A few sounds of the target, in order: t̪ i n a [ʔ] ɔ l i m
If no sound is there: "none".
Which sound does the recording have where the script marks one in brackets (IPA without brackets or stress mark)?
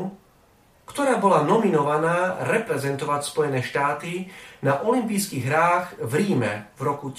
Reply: ʔ